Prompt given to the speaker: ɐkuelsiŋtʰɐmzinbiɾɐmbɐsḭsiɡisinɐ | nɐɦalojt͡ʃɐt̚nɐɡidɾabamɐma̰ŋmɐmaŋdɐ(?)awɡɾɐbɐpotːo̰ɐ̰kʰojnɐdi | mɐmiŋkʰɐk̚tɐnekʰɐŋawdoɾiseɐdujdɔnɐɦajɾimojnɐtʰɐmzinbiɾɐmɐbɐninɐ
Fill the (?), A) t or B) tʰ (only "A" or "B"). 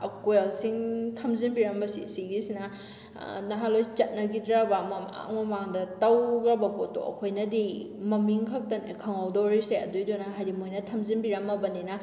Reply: A